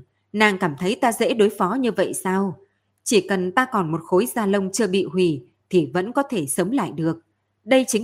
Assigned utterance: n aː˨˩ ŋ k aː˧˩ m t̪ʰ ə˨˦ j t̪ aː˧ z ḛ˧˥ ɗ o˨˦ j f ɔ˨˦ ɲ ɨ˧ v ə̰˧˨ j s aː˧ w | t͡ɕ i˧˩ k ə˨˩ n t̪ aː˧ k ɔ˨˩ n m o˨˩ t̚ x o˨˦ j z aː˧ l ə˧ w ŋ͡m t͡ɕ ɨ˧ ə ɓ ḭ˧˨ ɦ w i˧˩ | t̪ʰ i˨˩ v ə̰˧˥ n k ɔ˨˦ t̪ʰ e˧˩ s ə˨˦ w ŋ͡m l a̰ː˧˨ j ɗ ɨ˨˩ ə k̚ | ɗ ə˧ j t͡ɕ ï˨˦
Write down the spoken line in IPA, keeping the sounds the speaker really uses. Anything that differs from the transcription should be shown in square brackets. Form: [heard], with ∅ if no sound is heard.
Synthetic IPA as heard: n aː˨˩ ŋ k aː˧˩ m t̪ʰ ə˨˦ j t̪ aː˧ z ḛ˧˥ ɗ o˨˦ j f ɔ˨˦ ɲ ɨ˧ v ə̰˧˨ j s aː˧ w | t͡ɕ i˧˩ k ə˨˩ n t̪ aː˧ k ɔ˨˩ n m o˨˩ t̚ x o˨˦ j z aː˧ l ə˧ w ŋ͡m t͡ɕ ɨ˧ ə ɓ ḭ˧˨ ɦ w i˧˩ | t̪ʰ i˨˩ v ə̰˧˥ n k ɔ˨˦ t̪ʰ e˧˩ s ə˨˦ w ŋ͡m l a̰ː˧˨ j ɗ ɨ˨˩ ə k̚ | ɗ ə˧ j t͡ɕ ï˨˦